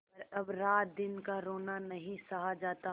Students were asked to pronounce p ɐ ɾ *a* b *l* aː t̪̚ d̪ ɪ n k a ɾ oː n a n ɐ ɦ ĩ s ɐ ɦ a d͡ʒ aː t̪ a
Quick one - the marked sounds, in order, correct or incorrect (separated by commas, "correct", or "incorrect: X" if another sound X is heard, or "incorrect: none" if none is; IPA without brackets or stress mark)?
incorrect: ɐ, incorrect: ɾ